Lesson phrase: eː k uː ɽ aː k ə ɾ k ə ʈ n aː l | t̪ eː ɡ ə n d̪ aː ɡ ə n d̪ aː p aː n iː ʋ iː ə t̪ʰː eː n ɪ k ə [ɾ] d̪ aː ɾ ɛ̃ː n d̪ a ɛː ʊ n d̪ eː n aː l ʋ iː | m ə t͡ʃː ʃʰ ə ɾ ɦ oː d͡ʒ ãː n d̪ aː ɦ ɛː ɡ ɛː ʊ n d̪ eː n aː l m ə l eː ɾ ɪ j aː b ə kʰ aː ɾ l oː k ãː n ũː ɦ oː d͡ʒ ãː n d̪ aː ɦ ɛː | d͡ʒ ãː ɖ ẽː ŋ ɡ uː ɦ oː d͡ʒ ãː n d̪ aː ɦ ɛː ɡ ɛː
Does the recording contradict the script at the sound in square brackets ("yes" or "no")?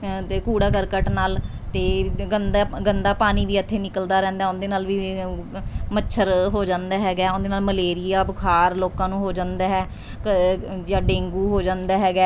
yes